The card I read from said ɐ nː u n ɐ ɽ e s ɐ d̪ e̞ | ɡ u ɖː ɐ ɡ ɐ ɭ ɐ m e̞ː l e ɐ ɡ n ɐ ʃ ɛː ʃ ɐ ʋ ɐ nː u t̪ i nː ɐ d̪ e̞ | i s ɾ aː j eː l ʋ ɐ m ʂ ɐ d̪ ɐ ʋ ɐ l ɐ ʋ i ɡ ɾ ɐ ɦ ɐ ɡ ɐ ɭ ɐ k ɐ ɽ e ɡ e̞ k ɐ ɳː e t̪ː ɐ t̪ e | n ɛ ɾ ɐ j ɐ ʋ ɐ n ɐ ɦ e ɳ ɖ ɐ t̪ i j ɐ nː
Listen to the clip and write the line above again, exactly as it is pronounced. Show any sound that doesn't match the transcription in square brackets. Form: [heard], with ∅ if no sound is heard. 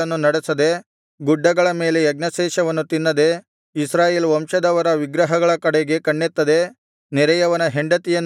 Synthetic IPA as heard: ɐ nː u n ɐ ɽ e s ɐ d̪ e̞ | ɡ u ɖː ɐ ɡ ɐ ɭ ɐ m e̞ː l e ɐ ɡ n ɐ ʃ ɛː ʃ ɐ ʋ ɐ nː u t̪ i nː ɐ d̪ e̞ | i s ɾ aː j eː l ʋ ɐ m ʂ ɐ d̪ ɐ ʋ ɐ [ɾ] ɐ ʋ i ɡ ɾ ɐ ɦ ɐ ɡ ɐ ɭ ɐ k ɐ ɽ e ɡ e̞ k ɐ ɳː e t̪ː ɐ [d̪] e | n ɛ ɾ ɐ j ɐ ʋ ɐ n ɐ ɦ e ɳ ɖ ɐ t̪ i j ɐ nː